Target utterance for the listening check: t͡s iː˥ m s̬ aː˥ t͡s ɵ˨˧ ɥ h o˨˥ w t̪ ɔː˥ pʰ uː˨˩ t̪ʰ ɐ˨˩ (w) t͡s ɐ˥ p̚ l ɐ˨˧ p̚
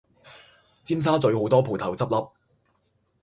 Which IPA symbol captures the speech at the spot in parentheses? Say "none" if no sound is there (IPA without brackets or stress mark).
w